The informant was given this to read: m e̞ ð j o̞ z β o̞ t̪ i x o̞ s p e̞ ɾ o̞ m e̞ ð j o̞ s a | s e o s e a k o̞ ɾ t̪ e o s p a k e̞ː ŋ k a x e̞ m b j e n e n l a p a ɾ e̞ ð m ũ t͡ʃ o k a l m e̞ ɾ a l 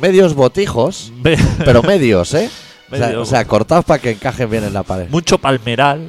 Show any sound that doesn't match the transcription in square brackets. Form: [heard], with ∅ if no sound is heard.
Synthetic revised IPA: m e̞ ð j o̞ z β o̞ t̪ i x o̞ s p e̞ ɾ o̞ m e̞ ð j o̞ s [e] | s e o s e a k o̞ ɾ t̪ [a] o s p a k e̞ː ŋ k a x e̞ m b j e n e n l a p a ɾ e̞ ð m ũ t͡ʃ o [p] a l m e̞ ɾ a l